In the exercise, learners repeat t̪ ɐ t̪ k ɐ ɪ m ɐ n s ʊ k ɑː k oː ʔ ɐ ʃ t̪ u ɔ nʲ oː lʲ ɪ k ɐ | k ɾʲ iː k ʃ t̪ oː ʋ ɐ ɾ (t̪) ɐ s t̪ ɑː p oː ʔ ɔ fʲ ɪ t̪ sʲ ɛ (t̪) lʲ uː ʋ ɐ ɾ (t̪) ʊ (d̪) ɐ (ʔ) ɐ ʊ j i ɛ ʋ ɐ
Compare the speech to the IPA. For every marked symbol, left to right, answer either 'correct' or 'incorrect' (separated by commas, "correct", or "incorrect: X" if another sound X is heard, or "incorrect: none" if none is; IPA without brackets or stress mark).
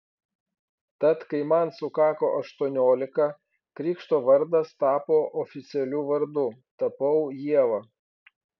incorrect: d̪, incorrect: none, incorrect: d̪, incorrect: t̪, incorrect: p